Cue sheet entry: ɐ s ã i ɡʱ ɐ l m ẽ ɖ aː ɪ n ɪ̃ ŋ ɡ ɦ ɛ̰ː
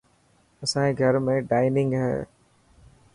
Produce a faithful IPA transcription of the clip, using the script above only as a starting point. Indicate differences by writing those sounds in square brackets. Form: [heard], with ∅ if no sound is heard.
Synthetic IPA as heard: ɐ s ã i ɡʱ ɐ [ɾ] m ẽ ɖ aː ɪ n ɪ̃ ŋ ɡ ɦ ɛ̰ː